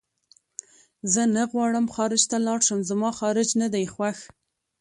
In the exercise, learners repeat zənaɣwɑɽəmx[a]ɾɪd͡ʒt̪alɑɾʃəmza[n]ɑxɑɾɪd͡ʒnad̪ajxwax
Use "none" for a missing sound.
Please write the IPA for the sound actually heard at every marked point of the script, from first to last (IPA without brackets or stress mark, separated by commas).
ɑ, m